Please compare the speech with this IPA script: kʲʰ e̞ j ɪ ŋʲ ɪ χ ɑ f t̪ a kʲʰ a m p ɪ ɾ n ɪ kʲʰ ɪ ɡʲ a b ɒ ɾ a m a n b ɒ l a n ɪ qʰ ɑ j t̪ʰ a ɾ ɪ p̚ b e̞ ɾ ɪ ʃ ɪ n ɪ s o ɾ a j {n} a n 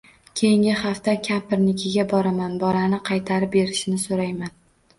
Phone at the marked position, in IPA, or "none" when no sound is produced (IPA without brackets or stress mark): m